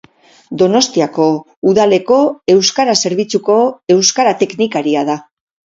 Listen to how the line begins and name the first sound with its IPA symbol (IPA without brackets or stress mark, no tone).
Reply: d̪